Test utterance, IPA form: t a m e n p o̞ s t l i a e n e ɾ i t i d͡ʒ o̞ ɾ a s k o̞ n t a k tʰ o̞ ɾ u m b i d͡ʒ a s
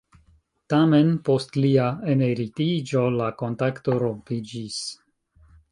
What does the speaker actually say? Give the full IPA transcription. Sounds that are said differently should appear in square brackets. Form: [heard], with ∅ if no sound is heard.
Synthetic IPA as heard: t a m e n p o̞ s t l i a e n e ɾ i t i d͡ʒ o̞ [l] a [∅] k o̞ n t a k [t] o̞ ɾ [o] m [p] i d͡ʒ [i] s